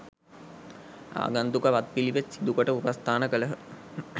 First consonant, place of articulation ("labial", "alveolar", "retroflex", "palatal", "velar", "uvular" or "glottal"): velar